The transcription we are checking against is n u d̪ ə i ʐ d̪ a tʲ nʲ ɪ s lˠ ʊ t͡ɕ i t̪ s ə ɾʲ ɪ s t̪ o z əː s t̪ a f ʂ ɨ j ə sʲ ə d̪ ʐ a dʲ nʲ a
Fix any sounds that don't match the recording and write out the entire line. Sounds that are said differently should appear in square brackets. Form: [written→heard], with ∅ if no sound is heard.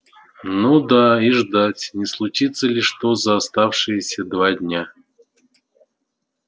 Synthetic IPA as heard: n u d̪ [ə→a] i ʐ d̪ a tʲ nʲ ɪ s lˠ ʊ t͡ɕ i t̪ s ə [ɾʲ→lʲ] ɪ [s→ʂ] t̪ o z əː s t̪ a f ʂ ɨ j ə sʲ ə d̪ [ʐ→v] a dʲ nʲ a

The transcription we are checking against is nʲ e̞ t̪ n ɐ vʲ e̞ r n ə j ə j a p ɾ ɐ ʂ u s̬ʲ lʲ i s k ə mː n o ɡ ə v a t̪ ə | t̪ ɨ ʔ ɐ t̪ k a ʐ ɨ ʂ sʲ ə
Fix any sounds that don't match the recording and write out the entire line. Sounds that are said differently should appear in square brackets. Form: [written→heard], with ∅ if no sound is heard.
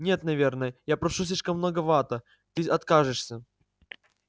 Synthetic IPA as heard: nʲ e̞ t̪ n ɐ vʲ e̞ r n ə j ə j a p ɾ ɐ ʂ u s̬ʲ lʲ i [s→ʂ] k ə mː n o ɡ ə v a t̪ ə | t̪ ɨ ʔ ɐ t̪ k a ʐ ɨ ʂ sʲ ə

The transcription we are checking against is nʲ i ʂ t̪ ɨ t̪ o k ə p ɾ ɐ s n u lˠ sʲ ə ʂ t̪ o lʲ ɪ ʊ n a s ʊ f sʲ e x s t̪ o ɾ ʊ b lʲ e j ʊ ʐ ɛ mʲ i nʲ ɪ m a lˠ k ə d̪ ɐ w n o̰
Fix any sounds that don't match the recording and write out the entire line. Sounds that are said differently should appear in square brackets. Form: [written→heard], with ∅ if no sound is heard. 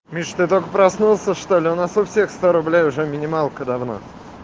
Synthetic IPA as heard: [nʲ→mʲ] i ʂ t̪ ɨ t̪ o k ə p ɾ ɐ s n u lˠ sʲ ə ʂ t̪ o lʲ ɪ ʊ n a s ʊ f sʲ e x s t̪ o ɾ ʊ b lʲ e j ʊ ʐ ɛ mʲ [i→ɪ] nʲ ɪ m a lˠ k ə d̪ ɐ [w→v] n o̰

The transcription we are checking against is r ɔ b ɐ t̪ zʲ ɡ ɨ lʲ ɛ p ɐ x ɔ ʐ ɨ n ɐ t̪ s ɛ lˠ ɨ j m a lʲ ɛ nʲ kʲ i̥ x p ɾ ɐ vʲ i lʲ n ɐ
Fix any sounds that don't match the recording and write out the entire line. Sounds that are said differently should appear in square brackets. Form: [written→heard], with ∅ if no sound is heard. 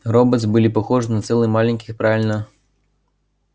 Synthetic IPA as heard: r ɔ b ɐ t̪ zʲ [ɡ→b] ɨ lʲ [ɛ→i] p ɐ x ɔ ʐ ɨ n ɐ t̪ s ɛ lˠ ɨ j m a lʲ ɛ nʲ kʲ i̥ x p ɾ [ɐ→a] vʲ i lʲ n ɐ

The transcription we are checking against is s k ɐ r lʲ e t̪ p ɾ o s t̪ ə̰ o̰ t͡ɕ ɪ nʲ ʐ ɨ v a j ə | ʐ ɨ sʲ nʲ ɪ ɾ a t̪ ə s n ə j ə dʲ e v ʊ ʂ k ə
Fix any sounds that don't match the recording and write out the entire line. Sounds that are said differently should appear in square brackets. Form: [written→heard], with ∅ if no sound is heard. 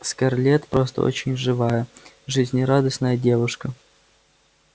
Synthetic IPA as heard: s k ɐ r lʲ e t̪ p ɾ o s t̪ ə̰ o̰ t͡ɕ ɪ nʲ ʐ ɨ v a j ə | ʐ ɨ [sʲ→zʲ] nʲ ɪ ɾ a [t̪→d̪] ə s n ə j ə dʲ e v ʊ ʂ k ə

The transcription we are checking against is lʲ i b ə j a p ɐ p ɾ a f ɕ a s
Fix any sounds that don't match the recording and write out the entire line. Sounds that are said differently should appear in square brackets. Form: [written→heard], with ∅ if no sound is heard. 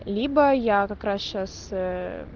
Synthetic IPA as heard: lʲ i b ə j a [p→k] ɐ [p→k] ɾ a [f→s] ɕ a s

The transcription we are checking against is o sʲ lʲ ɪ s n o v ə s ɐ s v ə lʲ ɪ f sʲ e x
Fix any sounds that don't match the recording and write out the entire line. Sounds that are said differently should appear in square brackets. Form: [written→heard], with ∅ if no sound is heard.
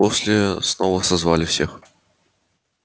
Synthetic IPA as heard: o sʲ lʲ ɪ s n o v ə s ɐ [s→z] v [ə→a] lʲ ɪ f sʲ e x

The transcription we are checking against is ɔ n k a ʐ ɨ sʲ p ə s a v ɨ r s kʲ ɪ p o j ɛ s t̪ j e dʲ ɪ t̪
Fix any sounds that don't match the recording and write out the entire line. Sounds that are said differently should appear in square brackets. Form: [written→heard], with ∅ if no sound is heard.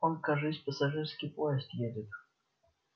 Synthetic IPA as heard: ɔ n k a ʐ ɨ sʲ p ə s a [v→ʐ] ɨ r s kʲ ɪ p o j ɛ s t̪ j e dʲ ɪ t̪

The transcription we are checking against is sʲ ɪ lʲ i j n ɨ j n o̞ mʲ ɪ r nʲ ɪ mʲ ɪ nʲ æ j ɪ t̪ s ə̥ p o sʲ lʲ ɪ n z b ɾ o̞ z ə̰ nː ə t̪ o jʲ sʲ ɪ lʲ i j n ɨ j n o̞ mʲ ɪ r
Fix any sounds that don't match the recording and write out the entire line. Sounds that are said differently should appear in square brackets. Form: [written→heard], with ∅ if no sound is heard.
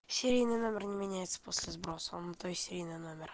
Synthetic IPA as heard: sʲ ɪ [lʲ→ɾʲ] i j n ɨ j n o̞ mʲ ɪ r nʲ ɪ mʲ ɪ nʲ æ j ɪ t̪ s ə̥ p o sʲ lʲ ɪ [n→∅] z b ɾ o̞ [z→s] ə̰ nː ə t̪ o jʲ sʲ ɪ [lʲ→ɾʲ] i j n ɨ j n o̞ mʲ ɪ r

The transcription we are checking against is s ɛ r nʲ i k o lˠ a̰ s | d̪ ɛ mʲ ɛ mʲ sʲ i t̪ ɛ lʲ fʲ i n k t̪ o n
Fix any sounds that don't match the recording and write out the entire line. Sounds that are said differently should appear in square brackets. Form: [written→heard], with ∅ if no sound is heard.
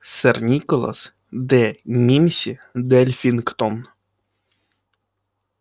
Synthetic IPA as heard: s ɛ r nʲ i k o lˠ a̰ s | d̪ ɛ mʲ [ɛ→i] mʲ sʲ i [t̪→d̪] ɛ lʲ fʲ i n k t̪ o n

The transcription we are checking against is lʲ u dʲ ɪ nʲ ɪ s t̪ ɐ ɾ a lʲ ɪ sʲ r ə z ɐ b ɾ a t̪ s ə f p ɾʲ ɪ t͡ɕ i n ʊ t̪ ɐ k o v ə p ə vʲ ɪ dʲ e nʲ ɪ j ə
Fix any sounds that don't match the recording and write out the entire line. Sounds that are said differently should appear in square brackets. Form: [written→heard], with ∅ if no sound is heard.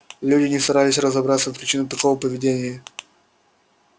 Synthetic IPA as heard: lʲ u dʲ ɪ nʲ ɪ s t̪ ɐ ɾ a lʲ ɪ sʲ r ə z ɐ b ɾ a t̪ s ə f p ɾʲ ɪ t͡ɕ i n ʊ t̪ ɐ k o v ə p ə vʲ ɪ dʲ e nʲ ɪ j ə

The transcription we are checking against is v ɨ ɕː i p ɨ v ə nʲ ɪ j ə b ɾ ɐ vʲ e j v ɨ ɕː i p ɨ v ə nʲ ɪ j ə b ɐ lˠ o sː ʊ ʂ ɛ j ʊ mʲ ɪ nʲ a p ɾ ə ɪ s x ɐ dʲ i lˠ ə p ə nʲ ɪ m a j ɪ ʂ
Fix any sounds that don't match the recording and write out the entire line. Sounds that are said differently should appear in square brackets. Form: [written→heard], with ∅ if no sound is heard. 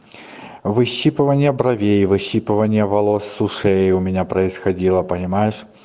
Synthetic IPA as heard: v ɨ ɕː i p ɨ v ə nʲ ɪ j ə b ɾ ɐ vʲ e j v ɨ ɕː i p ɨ v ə nʲ ɪ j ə [b→v] ɐ lˠ o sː ʊ ʂ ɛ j ʊ mʲ ɪ nʲ a p ɾ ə ɪ s x ɐ dʲ i lˠ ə p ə nʲ ɪ m a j ɪ ʂ

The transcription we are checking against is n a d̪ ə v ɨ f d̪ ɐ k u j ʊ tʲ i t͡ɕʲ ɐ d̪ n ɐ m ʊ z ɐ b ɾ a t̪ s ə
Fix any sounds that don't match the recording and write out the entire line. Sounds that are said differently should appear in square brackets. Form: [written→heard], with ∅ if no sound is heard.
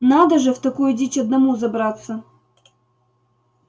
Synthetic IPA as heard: n a d̪ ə [v→ʐ] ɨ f [d̪→t̪] ɐ k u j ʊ [tʲ→dʲ] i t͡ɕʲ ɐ d̪ n ɐ m [ʊ→u] z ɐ b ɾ a t̪ s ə

